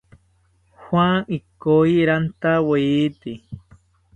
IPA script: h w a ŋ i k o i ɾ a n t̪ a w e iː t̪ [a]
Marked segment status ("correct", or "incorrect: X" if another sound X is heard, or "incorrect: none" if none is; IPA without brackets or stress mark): incorrect: i